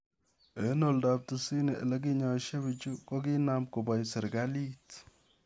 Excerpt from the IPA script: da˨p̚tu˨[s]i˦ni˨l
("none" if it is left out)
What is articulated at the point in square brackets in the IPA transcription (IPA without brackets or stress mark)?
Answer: s